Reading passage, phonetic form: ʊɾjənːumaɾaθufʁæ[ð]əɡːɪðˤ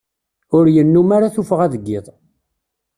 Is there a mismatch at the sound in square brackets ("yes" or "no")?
no